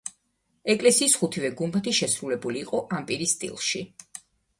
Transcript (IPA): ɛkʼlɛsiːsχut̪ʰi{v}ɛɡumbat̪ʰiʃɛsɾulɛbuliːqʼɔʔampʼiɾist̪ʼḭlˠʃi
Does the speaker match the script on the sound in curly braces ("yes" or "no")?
yes